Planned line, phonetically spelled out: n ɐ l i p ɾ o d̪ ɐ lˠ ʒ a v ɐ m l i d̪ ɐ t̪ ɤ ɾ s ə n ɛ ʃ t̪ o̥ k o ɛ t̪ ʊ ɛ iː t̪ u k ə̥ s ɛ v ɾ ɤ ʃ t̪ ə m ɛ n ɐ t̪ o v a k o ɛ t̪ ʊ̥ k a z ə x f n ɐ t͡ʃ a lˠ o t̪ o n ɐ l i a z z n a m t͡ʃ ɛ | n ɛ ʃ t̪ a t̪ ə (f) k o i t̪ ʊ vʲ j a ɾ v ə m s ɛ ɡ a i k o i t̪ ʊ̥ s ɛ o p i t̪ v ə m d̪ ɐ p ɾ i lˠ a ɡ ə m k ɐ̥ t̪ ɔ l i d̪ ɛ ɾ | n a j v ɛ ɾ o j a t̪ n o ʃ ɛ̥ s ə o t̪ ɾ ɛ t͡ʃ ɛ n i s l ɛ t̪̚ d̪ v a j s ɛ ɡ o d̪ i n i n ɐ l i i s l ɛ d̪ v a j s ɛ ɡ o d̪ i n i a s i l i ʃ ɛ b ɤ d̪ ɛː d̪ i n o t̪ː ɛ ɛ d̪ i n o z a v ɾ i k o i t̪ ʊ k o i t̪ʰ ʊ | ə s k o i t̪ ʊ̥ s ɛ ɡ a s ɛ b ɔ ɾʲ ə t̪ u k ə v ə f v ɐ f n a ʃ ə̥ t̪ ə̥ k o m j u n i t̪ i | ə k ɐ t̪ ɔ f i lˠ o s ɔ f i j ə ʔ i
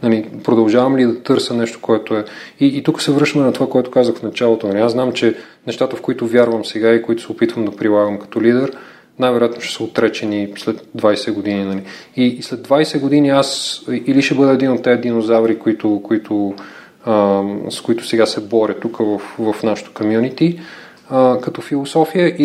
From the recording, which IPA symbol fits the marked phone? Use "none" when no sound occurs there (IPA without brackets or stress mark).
f